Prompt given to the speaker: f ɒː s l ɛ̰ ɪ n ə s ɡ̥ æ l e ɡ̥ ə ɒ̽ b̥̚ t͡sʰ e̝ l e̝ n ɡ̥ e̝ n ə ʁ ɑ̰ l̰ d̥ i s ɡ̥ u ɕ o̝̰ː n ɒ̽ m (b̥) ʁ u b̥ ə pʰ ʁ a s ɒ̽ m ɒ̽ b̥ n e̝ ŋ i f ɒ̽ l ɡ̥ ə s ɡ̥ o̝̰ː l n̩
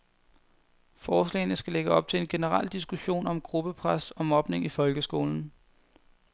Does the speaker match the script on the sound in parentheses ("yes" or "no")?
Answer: no